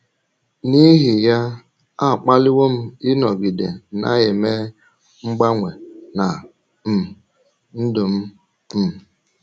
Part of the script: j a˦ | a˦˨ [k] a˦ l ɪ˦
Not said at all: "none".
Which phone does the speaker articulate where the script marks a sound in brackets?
k͡p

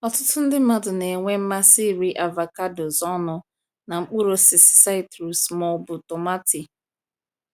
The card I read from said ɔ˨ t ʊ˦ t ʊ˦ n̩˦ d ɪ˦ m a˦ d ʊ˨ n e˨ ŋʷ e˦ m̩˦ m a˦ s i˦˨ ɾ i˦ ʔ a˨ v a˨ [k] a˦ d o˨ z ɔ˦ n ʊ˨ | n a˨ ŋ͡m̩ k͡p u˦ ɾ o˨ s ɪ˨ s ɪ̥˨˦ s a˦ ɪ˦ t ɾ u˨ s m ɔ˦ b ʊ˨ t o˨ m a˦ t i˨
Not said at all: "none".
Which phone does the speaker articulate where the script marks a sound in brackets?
k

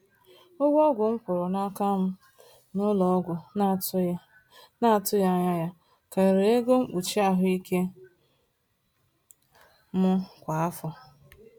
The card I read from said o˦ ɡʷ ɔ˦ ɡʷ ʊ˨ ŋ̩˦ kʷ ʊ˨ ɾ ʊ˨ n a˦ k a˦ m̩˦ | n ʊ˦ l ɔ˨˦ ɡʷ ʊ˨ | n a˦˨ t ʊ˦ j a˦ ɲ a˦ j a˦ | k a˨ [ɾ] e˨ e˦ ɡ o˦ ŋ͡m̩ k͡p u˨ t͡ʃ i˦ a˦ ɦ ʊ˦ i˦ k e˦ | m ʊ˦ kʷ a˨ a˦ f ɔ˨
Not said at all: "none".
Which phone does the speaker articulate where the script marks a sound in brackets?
ɾ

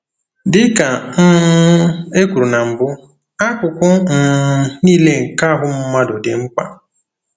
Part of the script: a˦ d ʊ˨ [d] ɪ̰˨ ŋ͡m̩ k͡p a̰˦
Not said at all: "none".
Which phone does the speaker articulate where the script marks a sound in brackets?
d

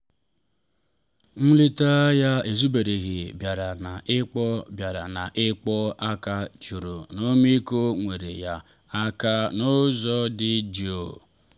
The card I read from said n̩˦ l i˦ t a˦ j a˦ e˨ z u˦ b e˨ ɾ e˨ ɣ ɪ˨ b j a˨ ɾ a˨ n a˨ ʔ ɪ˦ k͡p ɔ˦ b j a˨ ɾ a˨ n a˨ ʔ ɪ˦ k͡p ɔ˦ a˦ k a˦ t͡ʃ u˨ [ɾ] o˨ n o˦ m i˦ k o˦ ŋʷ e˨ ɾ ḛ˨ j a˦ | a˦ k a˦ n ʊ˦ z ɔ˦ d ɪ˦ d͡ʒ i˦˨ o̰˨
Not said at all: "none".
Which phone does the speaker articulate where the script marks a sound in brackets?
ɾ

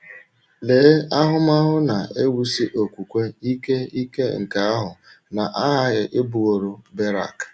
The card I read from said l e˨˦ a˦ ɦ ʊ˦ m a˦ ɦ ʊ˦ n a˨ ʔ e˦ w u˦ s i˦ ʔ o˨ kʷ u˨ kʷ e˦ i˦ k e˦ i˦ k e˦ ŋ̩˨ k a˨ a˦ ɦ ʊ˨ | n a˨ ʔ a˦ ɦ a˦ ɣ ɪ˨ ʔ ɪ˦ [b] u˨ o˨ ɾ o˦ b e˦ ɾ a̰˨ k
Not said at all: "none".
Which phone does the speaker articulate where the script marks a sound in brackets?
b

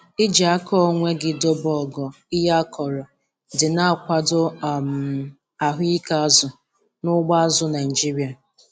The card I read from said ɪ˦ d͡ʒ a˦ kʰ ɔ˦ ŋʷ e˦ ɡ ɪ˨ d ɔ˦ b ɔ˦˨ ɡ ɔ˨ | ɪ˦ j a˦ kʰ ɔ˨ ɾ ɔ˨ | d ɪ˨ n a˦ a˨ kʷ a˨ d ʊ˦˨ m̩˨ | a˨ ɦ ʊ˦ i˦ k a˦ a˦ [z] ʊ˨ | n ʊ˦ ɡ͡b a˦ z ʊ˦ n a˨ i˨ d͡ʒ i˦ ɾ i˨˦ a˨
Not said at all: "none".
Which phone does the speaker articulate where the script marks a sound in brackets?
z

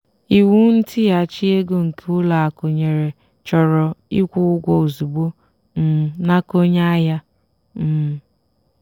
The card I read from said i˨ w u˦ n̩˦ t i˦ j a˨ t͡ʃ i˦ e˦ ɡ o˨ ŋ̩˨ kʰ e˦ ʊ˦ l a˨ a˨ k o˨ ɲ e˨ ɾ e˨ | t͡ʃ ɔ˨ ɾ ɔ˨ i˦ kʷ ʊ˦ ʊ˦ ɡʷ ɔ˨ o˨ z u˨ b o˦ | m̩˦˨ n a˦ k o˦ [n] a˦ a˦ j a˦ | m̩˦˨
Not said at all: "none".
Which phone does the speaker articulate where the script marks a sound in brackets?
ɲ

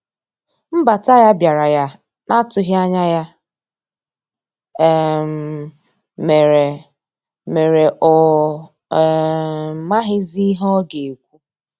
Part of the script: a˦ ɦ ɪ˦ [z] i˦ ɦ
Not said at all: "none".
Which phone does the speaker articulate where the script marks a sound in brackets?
z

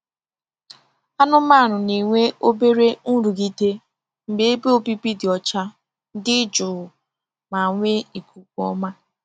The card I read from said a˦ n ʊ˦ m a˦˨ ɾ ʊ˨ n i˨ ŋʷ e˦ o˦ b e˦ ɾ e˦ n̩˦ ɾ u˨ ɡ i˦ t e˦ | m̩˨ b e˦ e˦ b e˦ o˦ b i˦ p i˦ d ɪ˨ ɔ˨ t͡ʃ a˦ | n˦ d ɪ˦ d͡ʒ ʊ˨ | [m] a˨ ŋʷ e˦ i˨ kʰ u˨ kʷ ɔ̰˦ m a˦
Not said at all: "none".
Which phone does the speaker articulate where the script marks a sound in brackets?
m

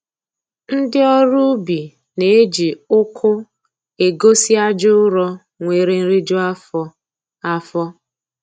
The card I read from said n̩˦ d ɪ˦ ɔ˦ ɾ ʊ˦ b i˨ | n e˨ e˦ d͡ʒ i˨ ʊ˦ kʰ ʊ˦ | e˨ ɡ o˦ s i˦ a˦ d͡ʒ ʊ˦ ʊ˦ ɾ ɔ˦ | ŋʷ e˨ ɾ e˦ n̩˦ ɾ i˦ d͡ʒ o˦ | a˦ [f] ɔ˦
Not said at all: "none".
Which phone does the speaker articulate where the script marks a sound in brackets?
f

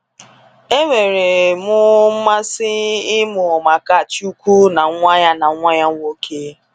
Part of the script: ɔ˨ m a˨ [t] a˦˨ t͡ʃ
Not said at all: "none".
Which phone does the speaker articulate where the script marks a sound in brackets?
k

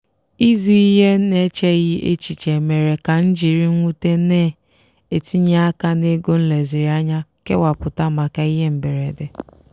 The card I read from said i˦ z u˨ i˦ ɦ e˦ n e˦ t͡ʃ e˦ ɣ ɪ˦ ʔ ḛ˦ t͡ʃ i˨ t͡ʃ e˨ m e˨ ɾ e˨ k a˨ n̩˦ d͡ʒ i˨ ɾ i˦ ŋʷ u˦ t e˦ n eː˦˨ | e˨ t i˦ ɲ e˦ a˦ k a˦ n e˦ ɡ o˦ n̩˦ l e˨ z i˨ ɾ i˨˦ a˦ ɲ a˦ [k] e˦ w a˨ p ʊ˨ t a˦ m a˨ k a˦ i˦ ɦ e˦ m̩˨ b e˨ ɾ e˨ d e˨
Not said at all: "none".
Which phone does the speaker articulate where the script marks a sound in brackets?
k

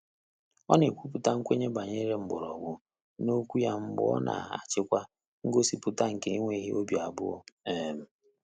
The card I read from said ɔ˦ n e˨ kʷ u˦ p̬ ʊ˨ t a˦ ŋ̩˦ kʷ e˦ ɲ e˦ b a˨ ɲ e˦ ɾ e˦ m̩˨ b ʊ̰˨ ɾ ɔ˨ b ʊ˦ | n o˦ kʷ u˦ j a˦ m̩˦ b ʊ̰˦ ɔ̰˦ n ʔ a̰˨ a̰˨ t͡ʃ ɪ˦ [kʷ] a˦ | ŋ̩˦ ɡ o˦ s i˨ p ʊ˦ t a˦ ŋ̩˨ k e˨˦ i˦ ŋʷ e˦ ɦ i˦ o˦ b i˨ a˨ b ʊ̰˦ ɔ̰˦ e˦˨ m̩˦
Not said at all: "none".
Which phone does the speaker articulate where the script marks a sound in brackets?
kʷ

